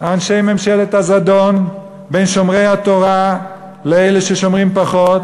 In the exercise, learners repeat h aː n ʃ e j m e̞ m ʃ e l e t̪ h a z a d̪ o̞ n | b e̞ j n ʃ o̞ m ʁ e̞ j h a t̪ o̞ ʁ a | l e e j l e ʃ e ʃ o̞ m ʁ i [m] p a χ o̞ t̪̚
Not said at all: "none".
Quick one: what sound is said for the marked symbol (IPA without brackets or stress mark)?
m